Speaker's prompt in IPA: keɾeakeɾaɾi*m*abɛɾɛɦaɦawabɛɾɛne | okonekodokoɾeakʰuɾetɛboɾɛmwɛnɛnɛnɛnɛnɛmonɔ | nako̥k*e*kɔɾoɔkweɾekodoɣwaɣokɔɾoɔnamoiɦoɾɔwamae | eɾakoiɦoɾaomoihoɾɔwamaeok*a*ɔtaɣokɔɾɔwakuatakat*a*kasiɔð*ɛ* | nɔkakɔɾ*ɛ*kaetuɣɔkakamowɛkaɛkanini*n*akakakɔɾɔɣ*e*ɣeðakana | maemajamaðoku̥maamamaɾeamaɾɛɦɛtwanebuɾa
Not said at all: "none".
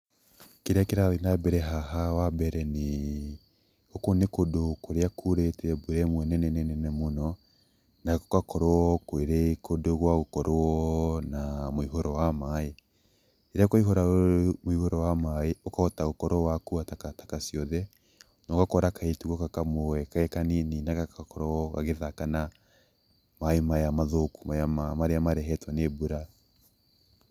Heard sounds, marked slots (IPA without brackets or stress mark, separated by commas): n, a, a, a, ɛ, a, n, a